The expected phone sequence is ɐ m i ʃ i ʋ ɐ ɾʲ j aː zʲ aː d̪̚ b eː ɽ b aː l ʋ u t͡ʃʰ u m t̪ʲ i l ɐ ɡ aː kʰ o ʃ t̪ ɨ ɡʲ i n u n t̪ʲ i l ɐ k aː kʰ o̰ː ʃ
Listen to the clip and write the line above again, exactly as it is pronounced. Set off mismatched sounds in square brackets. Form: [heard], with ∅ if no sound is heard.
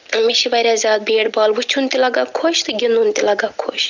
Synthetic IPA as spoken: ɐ m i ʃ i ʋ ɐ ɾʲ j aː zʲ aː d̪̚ b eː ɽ b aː l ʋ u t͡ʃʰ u [n] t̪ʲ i l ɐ ɡ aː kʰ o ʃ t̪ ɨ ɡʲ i n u n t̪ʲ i l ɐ [ɡ] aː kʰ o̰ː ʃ